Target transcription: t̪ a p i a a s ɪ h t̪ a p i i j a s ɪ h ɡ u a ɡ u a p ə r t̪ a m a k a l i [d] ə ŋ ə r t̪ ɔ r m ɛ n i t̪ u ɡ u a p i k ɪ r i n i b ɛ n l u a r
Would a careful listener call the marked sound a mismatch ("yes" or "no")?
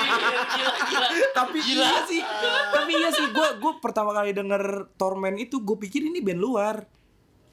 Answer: no